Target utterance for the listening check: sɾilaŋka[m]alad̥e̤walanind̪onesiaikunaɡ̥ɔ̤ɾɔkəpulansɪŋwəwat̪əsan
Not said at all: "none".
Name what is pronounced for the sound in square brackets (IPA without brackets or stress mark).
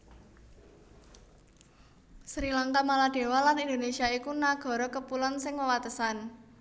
m